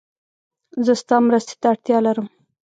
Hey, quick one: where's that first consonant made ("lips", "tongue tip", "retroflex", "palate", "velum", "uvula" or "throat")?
tongue tip